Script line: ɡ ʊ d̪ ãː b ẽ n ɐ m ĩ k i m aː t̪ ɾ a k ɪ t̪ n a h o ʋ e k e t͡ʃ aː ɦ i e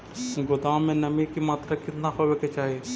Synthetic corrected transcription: ɡ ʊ d̪ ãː m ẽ n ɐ m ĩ k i m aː t̪ ɾ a k ɪ t̪ n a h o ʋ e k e t͡ʃ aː ɦ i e